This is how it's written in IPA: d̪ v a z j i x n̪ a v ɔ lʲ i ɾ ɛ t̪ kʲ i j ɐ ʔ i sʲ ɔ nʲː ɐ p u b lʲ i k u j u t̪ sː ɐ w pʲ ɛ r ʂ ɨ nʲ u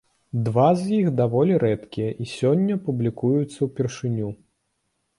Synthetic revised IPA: d̪ v a z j i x d̪ a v ɔ lʲ i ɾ ɛ t̪ kʲ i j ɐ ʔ i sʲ ɔ nʲː ɐ p u b lʲ i k u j u t̪ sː ɐ w pʲ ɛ r ʂ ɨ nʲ u

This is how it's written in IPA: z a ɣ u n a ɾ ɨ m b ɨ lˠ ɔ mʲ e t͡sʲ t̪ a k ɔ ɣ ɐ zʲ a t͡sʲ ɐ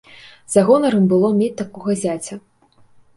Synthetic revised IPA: z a ɣ ɔ n ɐ ɾ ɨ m b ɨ lˠ ɔ mʲ e t͡sʲ t̪ a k ɔ ɣ ɐ zʲ a t͡sʲ ɐ

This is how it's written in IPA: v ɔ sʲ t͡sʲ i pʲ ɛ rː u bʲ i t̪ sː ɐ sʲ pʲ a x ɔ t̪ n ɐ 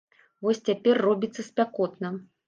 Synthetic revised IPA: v ɔ sʲ t͡sʲ a pʲ ɛ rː ɔ bʲ i t̪ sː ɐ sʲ pʲ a k ɔ t̪ n ɐ

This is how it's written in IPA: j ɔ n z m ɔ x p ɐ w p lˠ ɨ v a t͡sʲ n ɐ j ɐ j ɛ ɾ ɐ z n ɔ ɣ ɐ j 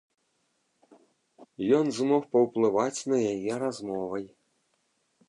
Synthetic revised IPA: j ɔ n z m ɔ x p ɐ w p lˠ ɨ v a t͡sʲ n ɐ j a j ɛ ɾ a z m ɔ v ɐ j

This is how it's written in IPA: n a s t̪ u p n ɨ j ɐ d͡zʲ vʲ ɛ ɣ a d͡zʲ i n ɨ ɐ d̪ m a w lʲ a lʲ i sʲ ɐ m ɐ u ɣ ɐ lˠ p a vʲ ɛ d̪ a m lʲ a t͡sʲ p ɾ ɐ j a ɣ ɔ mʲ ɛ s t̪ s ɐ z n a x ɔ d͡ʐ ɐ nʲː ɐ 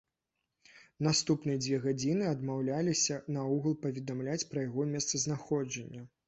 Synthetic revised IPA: n a s t̪ u p n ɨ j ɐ d͡zʲ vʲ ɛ ɣ a d͡zʲ i n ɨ ɐ d̪ m a w lʲ a lʲ i sʲ ɐ n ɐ u ɣ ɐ lˠ p ɐ vʲ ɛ d̪ a m lʲ a t͡sʲ p ɾ ɐ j a ɣ ɔ mʲ ɛ s t̪ s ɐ z n a x ɔ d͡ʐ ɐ nʲː ɐ

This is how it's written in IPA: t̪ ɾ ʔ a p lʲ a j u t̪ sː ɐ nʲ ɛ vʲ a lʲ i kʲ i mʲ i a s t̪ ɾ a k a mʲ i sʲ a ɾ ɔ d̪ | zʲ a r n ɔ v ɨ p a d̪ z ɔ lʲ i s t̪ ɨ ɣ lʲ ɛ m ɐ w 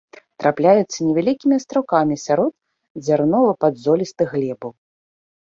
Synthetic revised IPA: t̪ ɾ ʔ a p lʲ a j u t̪ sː ɐ nʲ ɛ vʲ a lʲ i kʲ i mʲ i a s t̪ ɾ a k a mʲ i sʲ a ɾ ɔ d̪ | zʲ a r n ɔ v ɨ p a d̪ z ɔ lʲ i s t̪ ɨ ɣ lʲ ɛ b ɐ w

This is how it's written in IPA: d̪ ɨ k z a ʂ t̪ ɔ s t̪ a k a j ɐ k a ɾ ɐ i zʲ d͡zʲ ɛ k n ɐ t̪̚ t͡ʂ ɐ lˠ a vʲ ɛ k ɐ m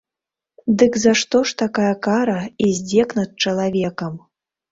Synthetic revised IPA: d̪ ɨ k z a ʂ t̪ ɔ ʂ t̪ a k a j ɐ k a ɾ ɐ i zʲ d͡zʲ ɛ k n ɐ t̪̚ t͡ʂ ɐ lˠ a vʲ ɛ k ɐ m

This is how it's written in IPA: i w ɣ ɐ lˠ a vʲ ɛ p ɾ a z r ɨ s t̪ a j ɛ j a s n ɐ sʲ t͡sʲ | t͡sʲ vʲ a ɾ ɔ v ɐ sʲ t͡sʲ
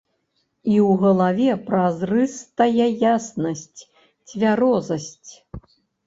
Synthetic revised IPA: i w ɣ ɐ lˠ a vʲ ɛ p ɾ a z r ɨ s t̪ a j ɛ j a s n ɐ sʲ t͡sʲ | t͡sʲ vʲ a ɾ ɔ z ɐ sʲ t͡sʲ

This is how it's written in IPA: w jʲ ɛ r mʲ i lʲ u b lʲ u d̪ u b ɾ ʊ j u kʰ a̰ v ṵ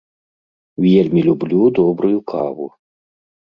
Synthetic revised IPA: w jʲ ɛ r mʲ i lʲ u b lʲ u d̪ ɔ b ɾ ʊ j u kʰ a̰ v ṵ

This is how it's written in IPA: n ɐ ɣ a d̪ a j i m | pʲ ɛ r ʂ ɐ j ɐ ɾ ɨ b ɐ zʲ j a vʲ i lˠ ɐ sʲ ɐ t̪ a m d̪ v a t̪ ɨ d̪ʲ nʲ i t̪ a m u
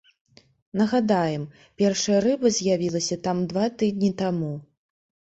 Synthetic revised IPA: n ɐ ɣ a d̪ a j ɛ m | pʲ ɛ r ʂ ɐ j ɐ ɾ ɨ b ɐ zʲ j a vʲ i lˠ ɐ sʲ ɐ t̪ a m d̪ v a t̪ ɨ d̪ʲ nʲ i t̪ a m u

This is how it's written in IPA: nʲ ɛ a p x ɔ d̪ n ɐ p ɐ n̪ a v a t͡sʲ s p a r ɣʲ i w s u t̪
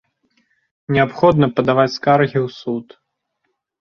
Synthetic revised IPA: nʲ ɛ a p x ɔ d̪ n ɐ p ɐ d̪ a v a t͡sʲ s k a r ɣʲ i w s u t̪

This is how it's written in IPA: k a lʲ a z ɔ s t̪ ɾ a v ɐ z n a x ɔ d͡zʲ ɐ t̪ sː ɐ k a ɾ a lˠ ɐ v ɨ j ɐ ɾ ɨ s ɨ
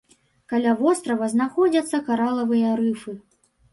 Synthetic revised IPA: k a lʲ a v ɔ s t̪ ɾ ɐ v ɐ z n a x ɔ d͡zʲ ɐ t̪ sː ɐ k a ɾ a lˠ ɐ v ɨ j ɐ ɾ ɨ f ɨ

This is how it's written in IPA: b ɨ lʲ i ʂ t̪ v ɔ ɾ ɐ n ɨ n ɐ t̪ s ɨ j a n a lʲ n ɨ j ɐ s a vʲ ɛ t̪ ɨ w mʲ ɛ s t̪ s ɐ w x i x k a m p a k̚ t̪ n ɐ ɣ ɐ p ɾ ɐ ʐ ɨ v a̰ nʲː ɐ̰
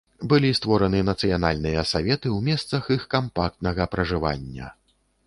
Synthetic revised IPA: b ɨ lʲ i s t̪ v ɔ ɾ ɐ n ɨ n ɐ t̪ s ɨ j a n a lʲ n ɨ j ɐ s a vʲ ɛ t̪ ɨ w mʲ ɛ s t̪ s ɐ x i x k a m p a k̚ t̪ n ɐ ɣ ɐ p ɾ ɐ ʐ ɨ v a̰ nʲː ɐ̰

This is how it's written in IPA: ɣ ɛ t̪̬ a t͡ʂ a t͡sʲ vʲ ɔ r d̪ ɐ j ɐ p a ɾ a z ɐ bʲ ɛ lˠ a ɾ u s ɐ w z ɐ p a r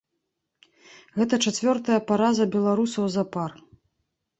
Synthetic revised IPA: ɣ ɛ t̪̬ ɐ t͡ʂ a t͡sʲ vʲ ɔ r t̪ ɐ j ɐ p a ɾ a z ɐ bʲ ɛ lˠ a ɾ u s ɐ w z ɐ p a r

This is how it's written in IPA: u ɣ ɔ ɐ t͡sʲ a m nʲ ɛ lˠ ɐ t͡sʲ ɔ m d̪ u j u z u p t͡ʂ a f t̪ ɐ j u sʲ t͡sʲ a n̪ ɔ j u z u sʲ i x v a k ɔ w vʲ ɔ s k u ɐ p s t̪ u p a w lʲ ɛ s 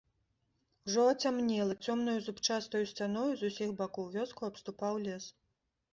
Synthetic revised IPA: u ʐ ɔ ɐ t͡sʲ a m nʲ ɛ lˠ ɐ t͡sʲ ɔ m n̪ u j u z u p t͡ʂ a s t̪ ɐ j u sʲ t͡sʲ a n̪ ɔ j u z u sʲ i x b a k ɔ w vʲ ɔ s k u ɐ p s t̪ u p a w lʲ ɛ s

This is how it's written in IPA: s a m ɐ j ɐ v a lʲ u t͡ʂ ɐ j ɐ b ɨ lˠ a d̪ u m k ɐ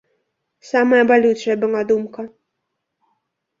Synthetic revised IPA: s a m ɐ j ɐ b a lʲ u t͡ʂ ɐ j ɐ b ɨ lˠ a d̪ u m k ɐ

